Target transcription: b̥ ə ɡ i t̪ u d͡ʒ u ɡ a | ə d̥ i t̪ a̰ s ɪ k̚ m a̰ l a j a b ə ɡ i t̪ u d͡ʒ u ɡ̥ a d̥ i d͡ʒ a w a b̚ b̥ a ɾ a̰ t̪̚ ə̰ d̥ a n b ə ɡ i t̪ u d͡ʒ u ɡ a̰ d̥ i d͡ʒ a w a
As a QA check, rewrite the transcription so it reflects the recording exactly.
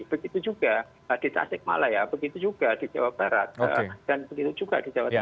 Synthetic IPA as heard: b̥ ə ɡ i t̪ u d͡ʒ u ɡ a | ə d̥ i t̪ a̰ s ɪ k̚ m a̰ l a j a b ə ɡ i t̪ u d͡ʒ u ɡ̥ a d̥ i d͡ʒ a w a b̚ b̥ a ɾ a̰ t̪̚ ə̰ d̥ a n b ə ɡ i t̪ u d͡ʒ u ɡ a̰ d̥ i d͡ʒ a w a